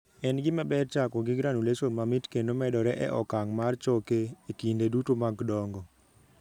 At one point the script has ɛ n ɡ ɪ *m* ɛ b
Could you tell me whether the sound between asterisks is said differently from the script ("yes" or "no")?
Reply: no